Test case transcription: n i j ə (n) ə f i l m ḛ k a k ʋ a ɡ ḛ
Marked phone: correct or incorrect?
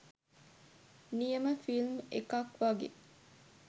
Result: incorrect